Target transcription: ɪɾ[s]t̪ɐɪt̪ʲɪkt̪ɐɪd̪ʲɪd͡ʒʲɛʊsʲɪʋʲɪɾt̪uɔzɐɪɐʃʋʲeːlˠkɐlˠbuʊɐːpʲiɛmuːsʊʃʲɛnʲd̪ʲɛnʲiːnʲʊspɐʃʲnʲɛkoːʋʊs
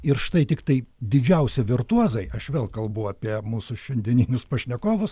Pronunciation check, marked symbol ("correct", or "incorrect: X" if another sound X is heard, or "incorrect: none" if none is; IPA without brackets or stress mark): incorrect: ʃ